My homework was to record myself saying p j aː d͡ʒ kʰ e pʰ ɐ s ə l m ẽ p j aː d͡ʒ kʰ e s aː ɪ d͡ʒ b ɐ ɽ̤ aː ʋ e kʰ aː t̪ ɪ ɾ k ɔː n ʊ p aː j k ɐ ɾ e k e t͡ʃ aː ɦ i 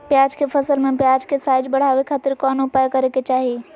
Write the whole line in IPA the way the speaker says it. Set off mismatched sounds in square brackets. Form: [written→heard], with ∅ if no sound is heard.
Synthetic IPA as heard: p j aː d͡ʒ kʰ e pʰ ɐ s ə l m ẽ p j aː d͡ʒ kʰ e s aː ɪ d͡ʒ b ɐ ɽ̤ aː ʋ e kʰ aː t̪ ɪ ɾ k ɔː n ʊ p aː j k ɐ ɾ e k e t͡ʃ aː ɦ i